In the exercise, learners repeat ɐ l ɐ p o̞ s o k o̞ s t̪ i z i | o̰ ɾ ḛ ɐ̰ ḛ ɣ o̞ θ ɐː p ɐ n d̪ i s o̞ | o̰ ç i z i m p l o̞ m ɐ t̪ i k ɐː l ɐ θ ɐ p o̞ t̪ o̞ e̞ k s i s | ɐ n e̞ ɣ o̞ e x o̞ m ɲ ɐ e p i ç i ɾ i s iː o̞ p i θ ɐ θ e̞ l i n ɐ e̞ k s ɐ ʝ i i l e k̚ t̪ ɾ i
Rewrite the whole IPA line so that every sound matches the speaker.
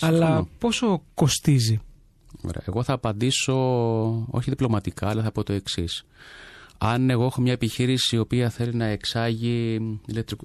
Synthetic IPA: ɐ l ɐ p o̞ s o k o̞ s t̪ i z i | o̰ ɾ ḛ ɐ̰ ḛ ɣ o̞ θ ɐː p ɐ n d̪ i s o̞ | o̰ ç i ð i p l o̞ m ɐ t̪ i k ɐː l ɐ θ ɐ p o̞ t̪ o̞ e̞ k s i s | ɐ n e̞ ɣ o̞ e x o̞ m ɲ ɐ e p i ç i ɾ i s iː o̞ p i ɐ θ e̞ l i n ɐ e̞ k s ɐ ʝ i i l e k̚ t̪ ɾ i